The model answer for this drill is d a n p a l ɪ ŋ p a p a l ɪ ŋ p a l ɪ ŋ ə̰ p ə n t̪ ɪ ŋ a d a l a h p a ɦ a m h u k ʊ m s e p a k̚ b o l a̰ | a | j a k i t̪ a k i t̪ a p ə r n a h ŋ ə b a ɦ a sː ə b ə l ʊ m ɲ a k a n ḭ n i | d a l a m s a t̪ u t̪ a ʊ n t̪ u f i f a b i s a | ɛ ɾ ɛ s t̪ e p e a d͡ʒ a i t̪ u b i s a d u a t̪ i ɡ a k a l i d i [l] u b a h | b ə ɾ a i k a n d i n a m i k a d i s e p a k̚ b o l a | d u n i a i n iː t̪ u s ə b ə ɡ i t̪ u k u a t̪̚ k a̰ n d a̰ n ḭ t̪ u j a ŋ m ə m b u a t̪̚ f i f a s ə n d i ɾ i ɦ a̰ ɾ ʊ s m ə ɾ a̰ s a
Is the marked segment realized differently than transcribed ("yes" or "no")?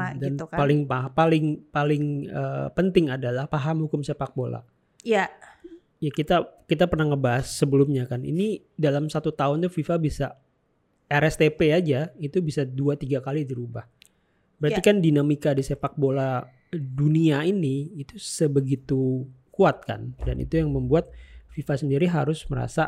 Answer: yes